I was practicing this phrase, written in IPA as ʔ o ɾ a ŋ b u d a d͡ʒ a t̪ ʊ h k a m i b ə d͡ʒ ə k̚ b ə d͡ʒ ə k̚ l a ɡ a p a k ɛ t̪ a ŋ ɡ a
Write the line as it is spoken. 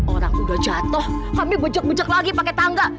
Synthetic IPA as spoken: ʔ o ɾ a ŋ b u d a d͡ʒ a t̪ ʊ h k a m i b ə d͡ʒ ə k̚ b ə d͡ʒ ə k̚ l a ɡ i p a k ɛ t̪ a ŋ ɡ a